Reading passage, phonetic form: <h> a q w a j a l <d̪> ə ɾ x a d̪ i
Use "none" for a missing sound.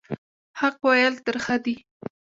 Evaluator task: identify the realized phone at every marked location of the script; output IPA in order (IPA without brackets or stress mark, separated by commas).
h, t̪